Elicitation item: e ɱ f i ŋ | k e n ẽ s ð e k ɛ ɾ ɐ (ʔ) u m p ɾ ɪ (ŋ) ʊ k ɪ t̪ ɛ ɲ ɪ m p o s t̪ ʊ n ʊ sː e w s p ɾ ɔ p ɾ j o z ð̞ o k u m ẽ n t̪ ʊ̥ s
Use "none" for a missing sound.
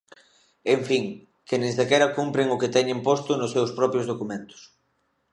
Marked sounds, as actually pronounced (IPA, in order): k, ŋ

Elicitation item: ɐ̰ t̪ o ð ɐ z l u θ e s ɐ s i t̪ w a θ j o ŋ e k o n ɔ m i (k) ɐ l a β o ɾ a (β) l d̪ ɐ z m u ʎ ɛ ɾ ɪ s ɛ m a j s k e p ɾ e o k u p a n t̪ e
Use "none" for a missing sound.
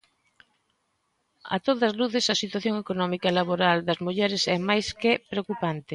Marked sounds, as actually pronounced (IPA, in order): k, none

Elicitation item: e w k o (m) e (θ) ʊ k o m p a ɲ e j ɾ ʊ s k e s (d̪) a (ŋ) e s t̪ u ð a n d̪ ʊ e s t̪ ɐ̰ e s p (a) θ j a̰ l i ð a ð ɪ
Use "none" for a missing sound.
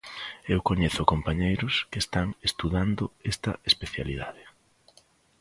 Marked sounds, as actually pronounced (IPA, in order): ɲ, θ, t̪, ŋ, e

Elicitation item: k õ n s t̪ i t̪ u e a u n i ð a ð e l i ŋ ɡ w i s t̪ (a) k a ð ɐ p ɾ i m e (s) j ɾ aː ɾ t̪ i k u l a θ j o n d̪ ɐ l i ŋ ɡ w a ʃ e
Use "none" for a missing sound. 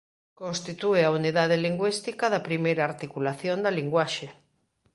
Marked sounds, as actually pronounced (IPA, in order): i, none

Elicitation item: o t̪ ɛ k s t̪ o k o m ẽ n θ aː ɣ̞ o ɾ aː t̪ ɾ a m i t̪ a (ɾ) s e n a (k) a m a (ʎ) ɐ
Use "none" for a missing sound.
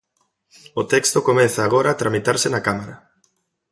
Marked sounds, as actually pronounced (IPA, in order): ɾ, k, ɾ

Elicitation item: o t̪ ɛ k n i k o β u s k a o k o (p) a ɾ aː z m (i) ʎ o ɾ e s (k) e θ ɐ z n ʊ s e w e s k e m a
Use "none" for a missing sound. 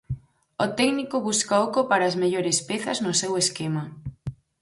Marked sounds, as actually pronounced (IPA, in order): p, e, p

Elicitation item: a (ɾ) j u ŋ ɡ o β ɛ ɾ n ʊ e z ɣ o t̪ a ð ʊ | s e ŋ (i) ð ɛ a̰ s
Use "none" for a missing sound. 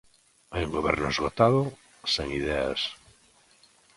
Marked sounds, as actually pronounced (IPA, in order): none, i

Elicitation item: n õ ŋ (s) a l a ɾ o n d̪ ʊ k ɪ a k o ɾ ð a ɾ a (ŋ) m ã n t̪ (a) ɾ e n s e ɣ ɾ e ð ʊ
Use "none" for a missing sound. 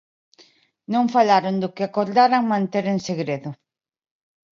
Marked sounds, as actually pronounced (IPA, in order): f, ŋ, e

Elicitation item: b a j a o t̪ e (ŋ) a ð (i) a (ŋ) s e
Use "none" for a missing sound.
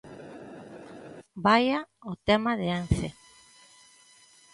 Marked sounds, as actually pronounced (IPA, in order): m, e, n

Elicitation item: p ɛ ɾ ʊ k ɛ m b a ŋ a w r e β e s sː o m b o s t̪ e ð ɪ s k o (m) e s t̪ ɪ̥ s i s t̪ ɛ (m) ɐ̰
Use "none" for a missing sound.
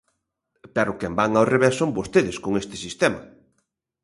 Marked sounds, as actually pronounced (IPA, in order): ŋ, m

